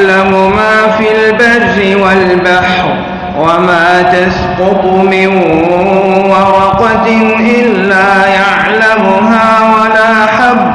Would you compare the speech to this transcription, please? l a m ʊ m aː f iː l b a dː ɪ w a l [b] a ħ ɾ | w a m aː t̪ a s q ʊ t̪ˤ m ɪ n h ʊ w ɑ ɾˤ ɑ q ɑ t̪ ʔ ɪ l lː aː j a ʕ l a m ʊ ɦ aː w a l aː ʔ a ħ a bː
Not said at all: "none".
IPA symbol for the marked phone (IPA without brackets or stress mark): b